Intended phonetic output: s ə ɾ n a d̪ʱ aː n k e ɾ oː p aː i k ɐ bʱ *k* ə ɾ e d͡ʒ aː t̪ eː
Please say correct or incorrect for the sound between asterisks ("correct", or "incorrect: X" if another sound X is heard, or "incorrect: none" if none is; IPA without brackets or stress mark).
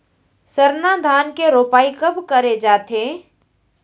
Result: correct